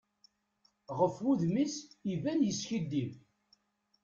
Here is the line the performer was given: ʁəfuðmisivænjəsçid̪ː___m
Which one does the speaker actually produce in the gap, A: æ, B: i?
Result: B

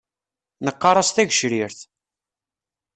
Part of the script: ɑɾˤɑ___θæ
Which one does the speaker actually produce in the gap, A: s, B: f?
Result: A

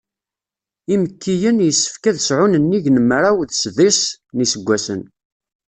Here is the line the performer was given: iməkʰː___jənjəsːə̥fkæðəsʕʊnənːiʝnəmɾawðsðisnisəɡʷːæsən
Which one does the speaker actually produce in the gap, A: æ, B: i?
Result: B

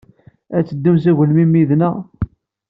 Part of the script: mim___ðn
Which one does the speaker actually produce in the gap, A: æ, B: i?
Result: B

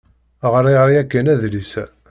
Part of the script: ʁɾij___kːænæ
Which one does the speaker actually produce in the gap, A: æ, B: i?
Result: A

